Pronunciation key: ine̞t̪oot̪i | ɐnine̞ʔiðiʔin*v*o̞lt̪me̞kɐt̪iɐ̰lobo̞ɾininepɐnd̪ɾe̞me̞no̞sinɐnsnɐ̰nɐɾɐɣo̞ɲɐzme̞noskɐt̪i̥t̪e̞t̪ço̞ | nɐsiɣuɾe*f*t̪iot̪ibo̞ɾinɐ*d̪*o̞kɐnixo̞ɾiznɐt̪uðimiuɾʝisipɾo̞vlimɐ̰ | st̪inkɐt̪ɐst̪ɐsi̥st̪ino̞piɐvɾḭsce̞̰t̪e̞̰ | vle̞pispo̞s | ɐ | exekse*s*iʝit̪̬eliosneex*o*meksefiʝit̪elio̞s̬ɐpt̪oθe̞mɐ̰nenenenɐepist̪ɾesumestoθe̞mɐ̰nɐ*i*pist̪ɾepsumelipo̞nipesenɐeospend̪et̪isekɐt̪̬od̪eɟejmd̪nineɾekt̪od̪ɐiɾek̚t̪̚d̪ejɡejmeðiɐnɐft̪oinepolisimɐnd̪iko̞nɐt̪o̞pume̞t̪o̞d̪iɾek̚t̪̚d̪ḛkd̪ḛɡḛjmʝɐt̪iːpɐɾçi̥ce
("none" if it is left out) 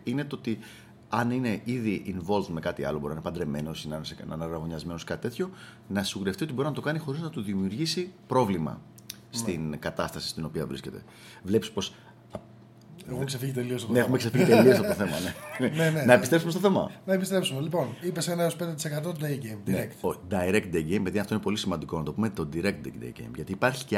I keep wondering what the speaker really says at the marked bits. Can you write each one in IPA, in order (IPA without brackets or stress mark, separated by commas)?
v, f, t̪, f, u, e